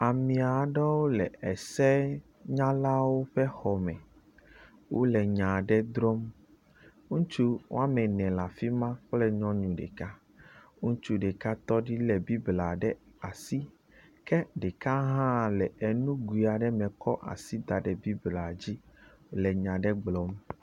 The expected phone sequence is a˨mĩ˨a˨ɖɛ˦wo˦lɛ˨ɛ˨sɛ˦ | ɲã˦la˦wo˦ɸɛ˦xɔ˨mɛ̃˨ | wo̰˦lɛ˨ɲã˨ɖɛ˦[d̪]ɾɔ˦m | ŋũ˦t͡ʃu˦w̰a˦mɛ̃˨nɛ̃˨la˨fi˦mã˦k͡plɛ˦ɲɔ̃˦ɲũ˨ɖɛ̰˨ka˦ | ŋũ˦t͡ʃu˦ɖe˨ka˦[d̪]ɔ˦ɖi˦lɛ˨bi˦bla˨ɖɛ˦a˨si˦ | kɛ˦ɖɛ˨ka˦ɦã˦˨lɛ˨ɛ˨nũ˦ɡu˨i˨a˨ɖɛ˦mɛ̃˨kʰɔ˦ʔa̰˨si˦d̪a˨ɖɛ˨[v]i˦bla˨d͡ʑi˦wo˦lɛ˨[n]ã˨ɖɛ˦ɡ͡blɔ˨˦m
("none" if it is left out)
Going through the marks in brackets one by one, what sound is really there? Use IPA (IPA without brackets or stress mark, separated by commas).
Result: d̪, t̪, b, ɲ